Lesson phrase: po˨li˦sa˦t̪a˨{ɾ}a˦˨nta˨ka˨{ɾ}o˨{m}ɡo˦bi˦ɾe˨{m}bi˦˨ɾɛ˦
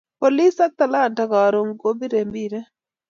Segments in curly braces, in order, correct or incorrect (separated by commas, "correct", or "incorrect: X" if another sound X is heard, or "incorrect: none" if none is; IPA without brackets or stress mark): incorrect: l, correct, incorrect: ŋ, correct